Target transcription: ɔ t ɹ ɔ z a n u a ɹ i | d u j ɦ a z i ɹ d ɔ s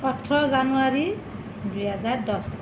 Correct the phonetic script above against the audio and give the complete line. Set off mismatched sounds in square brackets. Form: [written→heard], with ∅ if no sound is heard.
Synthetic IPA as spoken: ɔ [t→tʰ] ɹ ɔ z a n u a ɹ i | d u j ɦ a z [i→a] ɹ d ɔ s

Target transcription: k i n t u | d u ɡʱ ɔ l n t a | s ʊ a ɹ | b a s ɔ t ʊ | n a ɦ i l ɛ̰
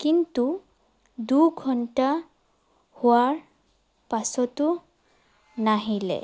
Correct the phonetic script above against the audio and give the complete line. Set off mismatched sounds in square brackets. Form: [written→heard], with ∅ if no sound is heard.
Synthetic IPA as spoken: k i n t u | d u ɡʱ ɔ [l→∅] n t a | [s→h] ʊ a ɹ | [b→p] a s ɔ t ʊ | n a ɦ i l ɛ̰

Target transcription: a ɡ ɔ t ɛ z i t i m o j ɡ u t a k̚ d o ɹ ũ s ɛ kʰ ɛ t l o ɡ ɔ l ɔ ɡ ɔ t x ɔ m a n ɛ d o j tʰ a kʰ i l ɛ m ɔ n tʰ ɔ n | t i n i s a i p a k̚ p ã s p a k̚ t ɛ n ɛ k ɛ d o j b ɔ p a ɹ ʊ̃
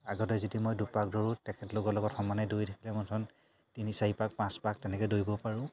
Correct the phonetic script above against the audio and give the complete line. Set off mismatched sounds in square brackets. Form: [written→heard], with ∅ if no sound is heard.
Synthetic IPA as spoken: a ɡ ɔ t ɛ z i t i m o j [ɡ→d] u [t→p] a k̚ d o ɹ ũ [s→t] ɛ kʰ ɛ t l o ɡ ɔ l ɔ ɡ ɔ t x ɔ m a n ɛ d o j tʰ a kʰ i l ɛ m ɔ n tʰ ɔ n | t i n i s a i p a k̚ p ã s p a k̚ t ɛ n ɛ k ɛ d o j b ɔ p a ɹ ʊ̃

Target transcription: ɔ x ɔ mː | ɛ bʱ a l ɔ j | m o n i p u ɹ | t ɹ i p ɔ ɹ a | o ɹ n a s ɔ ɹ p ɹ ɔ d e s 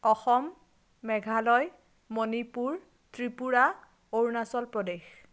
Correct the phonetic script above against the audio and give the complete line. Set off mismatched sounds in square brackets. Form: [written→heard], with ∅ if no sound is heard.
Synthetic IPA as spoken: ɔ x ɔ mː | ɛ [bʱ→ɡʱ] a l ɔ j | m o n i p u ɹ | t ɹ i p [ɔ→u] ɹ a | o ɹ n a s ɔ [ɹ→l] p ɹ ɔ d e [s→x]

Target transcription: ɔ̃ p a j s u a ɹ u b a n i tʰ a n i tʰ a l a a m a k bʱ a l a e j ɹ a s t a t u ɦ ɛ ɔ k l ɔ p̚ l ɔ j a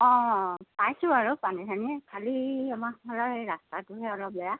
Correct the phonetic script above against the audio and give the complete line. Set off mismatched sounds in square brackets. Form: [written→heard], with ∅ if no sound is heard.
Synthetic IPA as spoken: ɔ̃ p a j s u a ɹ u [b→p] a n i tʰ a n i [tʰ→kʰ] a l [a→i] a m a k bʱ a l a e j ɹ a s t a t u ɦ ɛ ɔ [k→∅] l ɔ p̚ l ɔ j a

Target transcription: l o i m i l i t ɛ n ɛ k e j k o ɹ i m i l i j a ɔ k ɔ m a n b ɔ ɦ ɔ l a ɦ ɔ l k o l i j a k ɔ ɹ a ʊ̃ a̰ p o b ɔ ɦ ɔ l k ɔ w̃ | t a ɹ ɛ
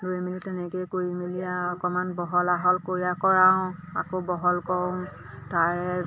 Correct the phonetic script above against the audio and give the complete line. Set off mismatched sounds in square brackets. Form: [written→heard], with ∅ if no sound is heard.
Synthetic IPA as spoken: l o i m i l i t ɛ n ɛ k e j k o ɹ i m i l i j a ɔ k ɔ m a n b ɔ ɦ ɔ l a ɦ ɔ l k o [l→ɹ] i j a k ɔ ɹ a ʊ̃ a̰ [p→k] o b ɔ ɦ ɔ l k ɔ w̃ | t a ɹ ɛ

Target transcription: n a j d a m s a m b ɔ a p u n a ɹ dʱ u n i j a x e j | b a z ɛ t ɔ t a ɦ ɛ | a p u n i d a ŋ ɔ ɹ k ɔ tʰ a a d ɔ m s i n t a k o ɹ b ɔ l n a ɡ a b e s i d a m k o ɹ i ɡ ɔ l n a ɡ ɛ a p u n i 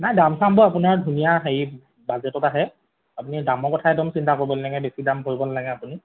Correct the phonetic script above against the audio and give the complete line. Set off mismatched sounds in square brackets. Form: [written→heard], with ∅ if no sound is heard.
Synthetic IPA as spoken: n a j d a m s a m b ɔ a p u n a ɹ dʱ u n i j a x e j | b a z ɛ t ɔ t a ɦ ɛ | a p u n i d a [ŋ→m] ɔ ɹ k ɔ tʰ a [a→ɛ] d ɔ m s i n t a k o ɹ b ɔ l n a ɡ [a→ɛ] b e s i d a m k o ɹ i [ɡ→b] ɔ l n a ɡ ɛ a p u n i

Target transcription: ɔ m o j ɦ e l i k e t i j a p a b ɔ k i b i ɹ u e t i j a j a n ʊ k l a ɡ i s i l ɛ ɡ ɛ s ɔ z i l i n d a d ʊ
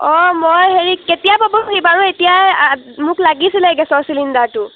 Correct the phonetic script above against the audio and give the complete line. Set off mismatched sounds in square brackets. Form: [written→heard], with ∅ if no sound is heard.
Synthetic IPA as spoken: ɔ m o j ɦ e [l→ɹ] i k e t i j a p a b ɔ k i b [i→a] ɹ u e t i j a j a [n→m] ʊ k l a ɡ i s i l ɛ ɡ ɛ s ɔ [z→s] i l i n d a [d→t] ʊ

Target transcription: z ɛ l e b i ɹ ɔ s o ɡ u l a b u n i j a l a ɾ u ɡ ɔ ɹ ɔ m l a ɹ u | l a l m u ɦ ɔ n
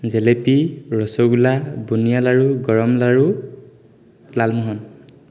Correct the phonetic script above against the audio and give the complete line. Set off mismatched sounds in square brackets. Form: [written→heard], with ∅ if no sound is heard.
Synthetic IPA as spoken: z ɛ l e [b→p] i ɹ ɔ s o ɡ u l a b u n i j a l a [ɾ→ɹ] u ɡ ɔ ɹ ɔ m l a ɹ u | l a l m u ɦ ɔ n

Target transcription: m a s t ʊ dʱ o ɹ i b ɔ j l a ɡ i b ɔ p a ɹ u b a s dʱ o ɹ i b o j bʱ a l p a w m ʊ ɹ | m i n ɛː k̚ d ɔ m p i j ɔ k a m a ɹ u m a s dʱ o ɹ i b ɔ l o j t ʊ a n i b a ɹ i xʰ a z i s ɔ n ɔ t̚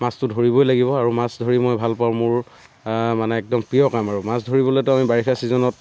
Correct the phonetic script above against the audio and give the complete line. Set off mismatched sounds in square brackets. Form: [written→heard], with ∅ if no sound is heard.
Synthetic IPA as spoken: m a s t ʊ dʱ o ɹ i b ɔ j l a ɡ i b ɔ [p→∅] a ɹ u [b→m] a s dʱ o ɹ i [b→m] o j bʱ a l p a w m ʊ ɹ | m [i→a] n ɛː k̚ d ɔ m p i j ɔ k a m a ɹ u m a s dʱ o ɹ i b ɔ l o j t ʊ a [n→m] i b a ɹ i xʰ a [z→s] i [s→z] ɔ n ɔ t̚

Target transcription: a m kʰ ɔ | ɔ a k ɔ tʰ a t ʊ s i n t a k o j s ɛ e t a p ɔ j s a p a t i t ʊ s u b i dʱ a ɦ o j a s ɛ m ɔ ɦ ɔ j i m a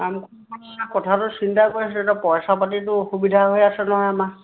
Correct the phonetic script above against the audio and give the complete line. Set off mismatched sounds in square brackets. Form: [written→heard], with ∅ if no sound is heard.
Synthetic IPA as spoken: a m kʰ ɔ | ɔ a k ɔ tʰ a t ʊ s i n t a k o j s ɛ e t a p ɔ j s a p a t i t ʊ [s→x] u b i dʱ a ɦ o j a s ɛ [m→n] ɔ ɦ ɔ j [i→a] m a

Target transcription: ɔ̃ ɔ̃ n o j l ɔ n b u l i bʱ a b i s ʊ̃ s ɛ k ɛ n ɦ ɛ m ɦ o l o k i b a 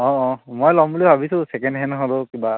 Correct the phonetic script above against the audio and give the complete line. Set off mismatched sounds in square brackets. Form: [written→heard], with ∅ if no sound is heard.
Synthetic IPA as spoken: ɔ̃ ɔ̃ [n→m] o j l ɔ [n→m] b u l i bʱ a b i s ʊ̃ s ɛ k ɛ n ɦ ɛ [m→n] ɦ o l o k i b a

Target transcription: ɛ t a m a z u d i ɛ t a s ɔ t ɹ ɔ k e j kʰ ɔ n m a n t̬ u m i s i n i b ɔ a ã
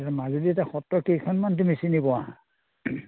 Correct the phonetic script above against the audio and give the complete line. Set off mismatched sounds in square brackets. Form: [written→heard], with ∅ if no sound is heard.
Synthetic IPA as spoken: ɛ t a m a z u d i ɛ t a [s→x] ɔ t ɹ ɔ k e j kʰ ɔ n m a n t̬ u m i s i n i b ɔ a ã

